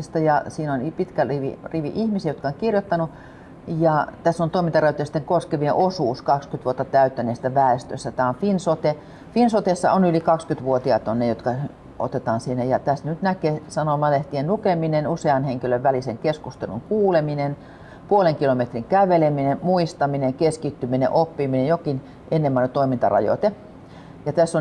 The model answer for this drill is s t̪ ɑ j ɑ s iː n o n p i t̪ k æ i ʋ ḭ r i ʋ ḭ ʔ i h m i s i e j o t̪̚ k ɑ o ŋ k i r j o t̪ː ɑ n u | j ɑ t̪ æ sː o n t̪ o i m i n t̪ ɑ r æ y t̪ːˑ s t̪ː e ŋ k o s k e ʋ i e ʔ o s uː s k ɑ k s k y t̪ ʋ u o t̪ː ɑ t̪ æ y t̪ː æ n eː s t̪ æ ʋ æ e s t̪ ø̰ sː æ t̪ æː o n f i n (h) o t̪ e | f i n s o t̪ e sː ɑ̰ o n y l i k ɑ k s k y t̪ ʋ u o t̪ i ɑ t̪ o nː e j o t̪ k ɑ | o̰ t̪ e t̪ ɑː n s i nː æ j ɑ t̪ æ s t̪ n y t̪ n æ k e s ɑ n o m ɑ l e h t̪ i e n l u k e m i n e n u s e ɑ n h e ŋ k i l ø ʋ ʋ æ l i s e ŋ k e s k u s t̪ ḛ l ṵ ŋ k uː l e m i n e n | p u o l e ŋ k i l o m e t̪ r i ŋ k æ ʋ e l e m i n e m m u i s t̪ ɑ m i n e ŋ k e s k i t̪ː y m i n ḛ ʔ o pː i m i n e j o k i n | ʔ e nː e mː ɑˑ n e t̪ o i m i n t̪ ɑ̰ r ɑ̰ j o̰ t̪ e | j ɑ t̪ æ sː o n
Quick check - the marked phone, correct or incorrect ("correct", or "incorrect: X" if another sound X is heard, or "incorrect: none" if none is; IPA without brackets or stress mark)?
incorrect: s